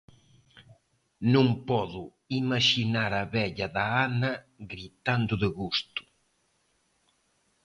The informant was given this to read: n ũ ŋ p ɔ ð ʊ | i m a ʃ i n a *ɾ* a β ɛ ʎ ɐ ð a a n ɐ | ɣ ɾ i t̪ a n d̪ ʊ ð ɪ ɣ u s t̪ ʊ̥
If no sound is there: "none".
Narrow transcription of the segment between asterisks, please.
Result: ɾ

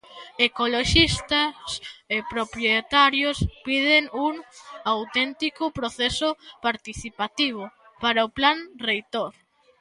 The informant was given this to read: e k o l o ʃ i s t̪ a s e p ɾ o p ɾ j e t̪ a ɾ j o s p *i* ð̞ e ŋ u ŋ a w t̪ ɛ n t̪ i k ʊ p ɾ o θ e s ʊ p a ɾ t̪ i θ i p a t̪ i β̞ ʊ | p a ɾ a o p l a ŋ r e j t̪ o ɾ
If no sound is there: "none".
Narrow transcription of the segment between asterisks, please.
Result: i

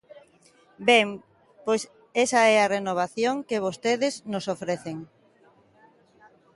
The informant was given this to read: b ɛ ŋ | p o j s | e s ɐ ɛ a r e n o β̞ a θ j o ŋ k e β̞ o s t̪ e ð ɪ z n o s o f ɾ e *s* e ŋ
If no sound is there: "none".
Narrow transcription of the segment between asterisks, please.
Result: θ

